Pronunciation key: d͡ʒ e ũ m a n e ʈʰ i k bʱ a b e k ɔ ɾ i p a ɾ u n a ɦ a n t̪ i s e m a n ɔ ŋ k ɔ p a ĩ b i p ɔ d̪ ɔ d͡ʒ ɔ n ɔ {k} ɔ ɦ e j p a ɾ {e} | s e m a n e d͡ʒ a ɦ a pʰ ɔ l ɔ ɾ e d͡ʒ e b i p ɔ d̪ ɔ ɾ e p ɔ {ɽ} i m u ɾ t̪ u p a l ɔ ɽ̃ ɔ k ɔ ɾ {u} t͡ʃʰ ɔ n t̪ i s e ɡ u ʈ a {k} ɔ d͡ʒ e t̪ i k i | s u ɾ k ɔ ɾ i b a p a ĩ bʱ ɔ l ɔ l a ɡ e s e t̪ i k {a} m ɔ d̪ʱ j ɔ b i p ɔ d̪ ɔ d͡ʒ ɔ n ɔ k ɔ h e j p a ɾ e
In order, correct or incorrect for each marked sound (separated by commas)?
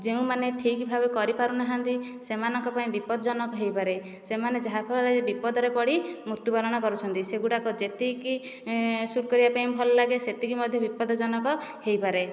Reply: correct, correct, correct, correct, correct, incorrect